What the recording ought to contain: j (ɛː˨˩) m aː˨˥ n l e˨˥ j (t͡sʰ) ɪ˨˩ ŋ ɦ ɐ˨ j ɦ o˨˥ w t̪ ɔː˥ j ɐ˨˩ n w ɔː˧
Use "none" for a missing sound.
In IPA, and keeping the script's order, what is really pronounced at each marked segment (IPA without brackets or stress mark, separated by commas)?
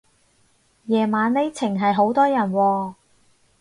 ɛː˨˩, t͡sʰ